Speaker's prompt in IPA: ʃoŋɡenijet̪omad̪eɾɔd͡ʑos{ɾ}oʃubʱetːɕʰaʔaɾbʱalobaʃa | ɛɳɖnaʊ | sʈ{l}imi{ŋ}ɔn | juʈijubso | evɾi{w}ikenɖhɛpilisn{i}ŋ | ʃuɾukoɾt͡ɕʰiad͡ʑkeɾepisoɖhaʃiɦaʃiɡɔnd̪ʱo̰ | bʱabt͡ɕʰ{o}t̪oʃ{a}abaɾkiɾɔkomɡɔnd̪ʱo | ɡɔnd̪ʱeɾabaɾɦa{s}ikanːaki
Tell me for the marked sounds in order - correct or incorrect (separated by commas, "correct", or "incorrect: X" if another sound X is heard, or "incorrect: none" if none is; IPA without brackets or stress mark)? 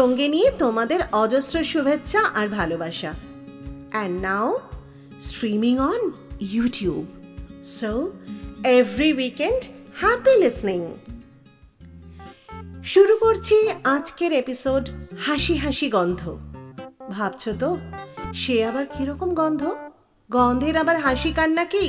correct, incorrect: ɾ, correct, correct, correct, correct, incorrect: e, incorrect: ʃ